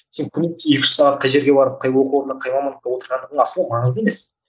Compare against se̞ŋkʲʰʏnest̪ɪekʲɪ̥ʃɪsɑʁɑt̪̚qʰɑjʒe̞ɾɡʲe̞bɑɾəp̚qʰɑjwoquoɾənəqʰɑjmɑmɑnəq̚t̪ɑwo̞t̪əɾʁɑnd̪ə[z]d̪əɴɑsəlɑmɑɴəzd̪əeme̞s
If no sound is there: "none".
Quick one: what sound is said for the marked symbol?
ʁ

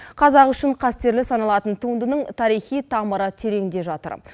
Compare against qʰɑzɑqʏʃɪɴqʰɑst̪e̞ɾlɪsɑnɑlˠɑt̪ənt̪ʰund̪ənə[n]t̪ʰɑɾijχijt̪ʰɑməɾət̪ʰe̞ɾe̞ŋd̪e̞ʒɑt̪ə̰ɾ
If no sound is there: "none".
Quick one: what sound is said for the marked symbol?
ɴ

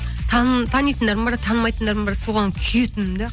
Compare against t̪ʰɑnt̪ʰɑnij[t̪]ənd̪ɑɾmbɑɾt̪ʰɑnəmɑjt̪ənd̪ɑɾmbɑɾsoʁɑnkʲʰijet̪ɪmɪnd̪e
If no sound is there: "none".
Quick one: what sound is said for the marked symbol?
t̪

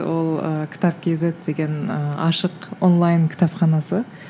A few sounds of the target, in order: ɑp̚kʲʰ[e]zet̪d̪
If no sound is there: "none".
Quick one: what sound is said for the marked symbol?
e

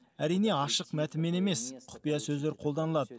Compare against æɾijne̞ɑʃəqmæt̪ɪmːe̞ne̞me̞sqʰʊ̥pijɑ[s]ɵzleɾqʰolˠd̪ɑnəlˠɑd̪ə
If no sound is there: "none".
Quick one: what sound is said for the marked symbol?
s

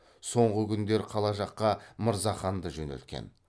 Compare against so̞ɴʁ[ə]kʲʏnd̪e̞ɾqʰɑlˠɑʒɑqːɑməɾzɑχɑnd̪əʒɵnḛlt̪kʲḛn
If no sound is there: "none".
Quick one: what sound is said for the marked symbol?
ə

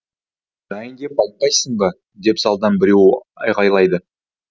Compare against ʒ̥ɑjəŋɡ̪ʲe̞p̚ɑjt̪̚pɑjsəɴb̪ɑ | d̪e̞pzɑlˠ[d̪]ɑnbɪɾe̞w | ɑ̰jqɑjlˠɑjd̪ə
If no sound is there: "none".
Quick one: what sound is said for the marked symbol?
d̪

